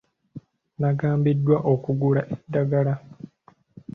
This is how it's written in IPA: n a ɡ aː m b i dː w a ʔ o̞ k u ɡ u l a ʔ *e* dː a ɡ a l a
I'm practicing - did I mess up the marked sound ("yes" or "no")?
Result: no